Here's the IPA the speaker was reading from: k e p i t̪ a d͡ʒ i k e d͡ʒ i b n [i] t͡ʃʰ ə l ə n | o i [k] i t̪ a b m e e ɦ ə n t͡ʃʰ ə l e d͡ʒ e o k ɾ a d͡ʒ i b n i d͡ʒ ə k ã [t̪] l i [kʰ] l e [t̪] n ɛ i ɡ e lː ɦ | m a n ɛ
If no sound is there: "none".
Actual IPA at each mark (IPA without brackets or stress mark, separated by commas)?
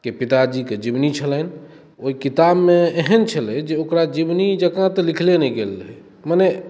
i, k, t̪, kʰ, none